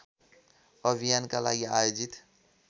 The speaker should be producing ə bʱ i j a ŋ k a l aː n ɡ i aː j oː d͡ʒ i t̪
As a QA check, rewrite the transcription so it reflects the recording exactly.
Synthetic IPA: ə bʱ i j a n k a l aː ɡ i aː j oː d͡ʒ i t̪